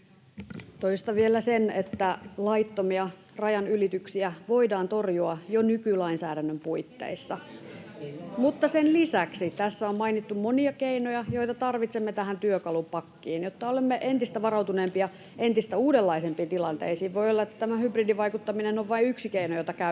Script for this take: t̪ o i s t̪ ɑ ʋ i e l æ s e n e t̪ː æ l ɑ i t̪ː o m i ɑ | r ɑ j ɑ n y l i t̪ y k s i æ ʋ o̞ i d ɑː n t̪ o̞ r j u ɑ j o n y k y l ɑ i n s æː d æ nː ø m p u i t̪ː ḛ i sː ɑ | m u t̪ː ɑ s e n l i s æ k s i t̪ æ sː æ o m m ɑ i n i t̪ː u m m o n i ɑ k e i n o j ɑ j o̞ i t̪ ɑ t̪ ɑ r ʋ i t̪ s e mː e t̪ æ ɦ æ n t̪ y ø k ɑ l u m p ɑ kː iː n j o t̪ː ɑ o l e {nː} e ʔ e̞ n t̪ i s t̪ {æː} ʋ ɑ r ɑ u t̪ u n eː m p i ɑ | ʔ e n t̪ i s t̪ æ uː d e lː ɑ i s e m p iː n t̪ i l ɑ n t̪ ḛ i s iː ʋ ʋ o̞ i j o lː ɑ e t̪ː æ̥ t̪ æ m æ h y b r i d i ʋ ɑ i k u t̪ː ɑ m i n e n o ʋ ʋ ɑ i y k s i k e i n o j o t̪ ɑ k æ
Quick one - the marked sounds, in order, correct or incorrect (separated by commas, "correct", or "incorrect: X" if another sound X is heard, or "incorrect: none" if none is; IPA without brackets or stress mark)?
incorrect: mː, incorrect: æ